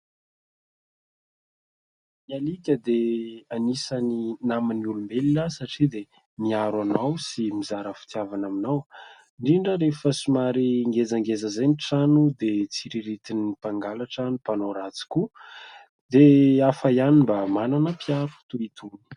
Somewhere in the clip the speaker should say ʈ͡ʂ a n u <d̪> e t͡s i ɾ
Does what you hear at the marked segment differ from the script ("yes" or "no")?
no